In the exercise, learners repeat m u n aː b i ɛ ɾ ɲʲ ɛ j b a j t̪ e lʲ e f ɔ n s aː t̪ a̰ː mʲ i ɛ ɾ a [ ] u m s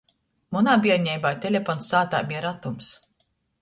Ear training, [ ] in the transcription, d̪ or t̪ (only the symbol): t̪